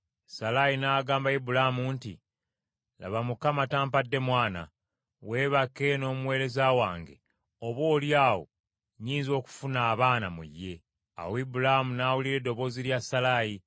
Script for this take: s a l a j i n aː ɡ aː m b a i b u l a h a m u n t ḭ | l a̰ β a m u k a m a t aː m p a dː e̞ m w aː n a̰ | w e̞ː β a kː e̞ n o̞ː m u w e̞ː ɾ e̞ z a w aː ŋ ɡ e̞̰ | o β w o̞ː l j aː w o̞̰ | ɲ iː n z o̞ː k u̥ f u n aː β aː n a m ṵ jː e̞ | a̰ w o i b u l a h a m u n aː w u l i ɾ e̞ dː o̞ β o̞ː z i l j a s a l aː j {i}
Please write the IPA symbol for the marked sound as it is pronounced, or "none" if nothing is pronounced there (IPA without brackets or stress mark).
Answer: i